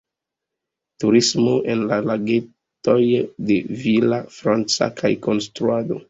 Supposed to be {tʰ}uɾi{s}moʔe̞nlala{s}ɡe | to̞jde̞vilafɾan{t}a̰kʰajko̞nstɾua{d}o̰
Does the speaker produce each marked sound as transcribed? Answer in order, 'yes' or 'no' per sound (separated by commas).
no, yes, no, no, yes